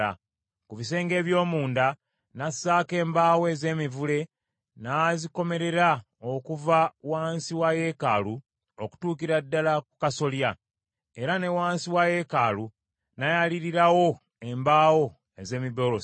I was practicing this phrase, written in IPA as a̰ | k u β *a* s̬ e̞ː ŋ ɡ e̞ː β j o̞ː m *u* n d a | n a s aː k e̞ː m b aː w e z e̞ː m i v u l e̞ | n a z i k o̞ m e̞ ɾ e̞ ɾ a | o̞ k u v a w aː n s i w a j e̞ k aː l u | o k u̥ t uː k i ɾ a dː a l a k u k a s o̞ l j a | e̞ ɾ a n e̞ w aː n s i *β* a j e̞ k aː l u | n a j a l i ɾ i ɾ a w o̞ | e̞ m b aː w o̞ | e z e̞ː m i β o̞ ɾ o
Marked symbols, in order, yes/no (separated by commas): no, no, no